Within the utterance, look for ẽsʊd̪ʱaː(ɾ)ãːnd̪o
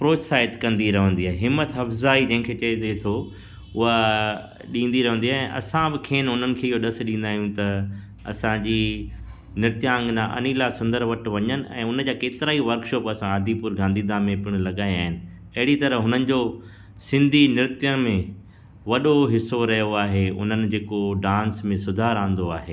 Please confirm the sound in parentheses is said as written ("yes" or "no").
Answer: yes